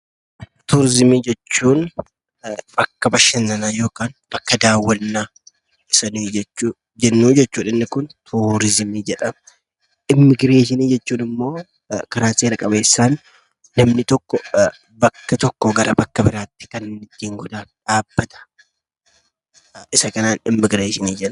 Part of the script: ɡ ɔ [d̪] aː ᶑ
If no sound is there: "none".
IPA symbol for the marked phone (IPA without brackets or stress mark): d̪